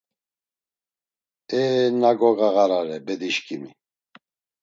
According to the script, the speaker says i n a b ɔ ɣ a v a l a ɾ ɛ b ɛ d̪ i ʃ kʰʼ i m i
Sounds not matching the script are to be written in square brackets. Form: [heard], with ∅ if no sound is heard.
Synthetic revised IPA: [ɛ] n a [ɡ] ɔ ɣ a [ɣ] a [ɾ] a ɾ ɛ b ɛ d̪ i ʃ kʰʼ i m i